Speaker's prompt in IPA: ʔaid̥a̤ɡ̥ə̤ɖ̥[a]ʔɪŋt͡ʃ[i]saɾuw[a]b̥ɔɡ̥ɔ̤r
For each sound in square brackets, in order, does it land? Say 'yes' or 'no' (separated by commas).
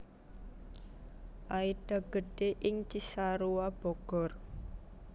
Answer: no, yes, yes